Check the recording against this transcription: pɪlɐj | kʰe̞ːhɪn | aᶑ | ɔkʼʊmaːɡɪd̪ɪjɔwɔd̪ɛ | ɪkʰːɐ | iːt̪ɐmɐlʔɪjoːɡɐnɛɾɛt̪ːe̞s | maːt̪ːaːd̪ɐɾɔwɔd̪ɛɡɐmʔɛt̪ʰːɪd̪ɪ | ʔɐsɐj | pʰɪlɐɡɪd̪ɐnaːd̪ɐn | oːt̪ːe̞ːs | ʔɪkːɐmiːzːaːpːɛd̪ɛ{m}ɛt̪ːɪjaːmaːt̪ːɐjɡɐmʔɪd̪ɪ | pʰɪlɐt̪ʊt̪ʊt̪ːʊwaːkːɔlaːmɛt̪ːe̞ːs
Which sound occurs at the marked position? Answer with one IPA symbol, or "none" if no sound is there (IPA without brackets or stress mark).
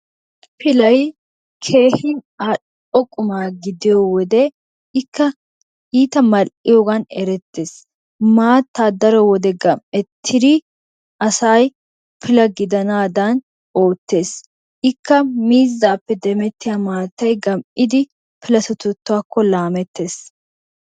m